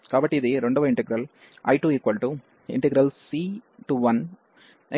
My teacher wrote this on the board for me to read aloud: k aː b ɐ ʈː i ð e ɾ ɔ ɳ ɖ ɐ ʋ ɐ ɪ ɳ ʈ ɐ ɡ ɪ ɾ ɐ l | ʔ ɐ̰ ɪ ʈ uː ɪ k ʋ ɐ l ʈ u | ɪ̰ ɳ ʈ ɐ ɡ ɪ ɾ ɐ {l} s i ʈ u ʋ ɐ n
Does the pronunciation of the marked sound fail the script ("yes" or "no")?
no